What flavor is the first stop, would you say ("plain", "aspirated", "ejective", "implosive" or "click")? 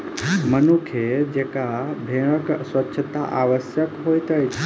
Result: aspirated